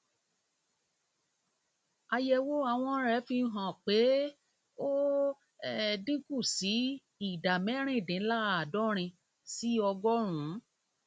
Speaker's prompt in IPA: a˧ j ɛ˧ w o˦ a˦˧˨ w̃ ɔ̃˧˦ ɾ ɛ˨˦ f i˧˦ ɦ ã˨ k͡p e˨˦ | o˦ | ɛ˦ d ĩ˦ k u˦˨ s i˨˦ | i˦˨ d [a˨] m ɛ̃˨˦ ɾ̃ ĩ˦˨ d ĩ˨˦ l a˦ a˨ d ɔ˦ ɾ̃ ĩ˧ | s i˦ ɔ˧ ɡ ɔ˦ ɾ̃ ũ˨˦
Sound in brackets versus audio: correct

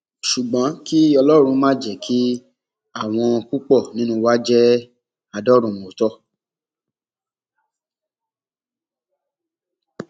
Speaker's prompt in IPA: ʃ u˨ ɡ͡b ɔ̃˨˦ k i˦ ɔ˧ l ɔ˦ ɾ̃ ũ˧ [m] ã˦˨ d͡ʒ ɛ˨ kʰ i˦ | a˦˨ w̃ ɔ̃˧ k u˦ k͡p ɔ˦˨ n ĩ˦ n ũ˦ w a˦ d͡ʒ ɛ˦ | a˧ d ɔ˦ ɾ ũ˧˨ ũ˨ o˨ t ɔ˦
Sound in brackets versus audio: correct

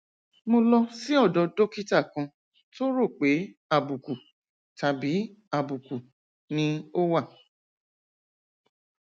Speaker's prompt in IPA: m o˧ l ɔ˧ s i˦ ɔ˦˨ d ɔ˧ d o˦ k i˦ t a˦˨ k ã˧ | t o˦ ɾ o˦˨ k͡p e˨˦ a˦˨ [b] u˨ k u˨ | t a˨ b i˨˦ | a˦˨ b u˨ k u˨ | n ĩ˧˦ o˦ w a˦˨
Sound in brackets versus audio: correct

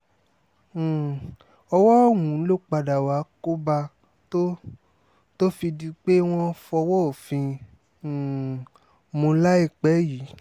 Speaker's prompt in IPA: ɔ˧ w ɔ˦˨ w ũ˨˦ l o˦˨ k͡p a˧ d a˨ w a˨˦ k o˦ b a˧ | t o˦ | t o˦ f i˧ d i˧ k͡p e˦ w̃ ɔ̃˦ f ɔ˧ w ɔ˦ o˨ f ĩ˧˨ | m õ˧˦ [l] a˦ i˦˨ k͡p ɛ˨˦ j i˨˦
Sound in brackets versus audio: correct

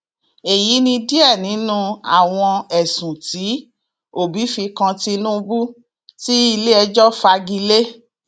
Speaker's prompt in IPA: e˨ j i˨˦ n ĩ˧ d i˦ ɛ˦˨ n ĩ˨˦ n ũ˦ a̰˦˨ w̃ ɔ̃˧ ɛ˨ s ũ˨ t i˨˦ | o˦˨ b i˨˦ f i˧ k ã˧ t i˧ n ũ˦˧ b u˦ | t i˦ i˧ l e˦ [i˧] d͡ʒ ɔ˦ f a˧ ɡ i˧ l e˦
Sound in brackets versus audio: incorrect: ɛ˧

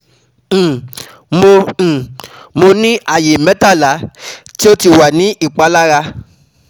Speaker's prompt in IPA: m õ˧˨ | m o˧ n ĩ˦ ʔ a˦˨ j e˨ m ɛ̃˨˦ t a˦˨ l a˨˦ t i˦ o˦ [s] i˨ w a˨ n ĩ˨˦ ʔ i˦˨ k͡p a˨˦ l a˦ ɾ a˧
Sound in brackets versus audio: incorrect: t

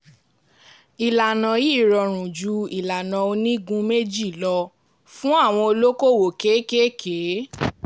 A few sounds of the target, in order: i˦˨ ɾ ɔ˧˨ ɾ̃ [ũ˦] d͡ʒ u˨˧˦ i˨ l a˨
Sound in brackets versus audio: incorrect: ũ˨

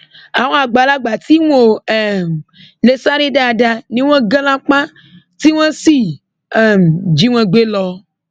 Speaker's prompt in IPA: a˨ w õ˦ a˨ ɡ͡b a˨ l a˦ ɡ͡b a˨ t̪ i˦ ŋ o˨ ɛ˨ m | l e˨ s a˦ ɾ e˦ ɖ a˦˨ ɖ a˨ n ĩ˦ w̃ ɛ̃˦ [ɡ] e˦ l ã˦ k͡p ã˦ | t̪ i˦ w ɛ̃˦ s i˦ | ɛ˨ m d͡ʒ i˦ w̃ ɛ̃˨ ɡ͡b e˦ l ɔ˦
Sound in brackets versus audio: correct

